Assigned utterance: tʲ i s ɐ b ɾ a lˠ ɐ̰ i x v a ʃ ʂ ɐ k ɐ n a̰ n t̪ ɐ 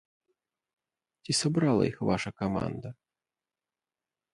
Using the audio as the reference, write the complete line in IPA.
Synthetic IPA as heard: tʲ i s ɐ b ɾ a lˠ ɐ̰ i x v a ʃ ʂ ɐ k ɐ m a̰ n d̪ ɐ